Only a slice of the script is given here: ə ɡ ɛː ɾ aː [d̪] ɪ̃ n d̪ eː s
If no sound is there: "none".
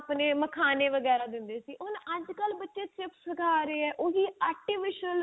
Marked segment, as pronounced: d̪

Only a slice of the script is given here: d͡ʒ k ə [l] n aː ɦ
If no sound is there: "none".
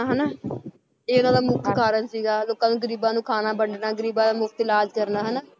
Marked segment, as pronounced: ɾ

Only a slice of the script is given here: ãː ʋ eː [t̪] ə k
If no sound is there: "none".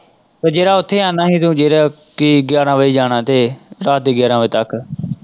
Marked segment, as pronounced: t̪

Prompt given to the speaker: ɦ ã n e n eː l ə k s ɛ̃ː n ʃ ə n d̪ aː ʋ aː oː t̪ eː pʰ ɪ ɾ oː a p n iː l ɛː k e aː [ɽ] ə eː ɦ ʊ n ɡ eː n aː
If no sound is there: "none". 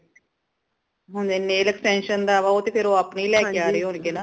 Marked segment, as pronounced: ɾ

